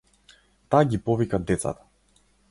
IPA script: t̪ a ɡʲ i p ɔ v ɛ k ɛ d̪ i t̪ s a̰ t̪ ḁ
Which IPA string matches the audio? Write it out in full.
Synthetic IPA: t̪ a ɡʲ i p ɔ v i k a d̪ ɛ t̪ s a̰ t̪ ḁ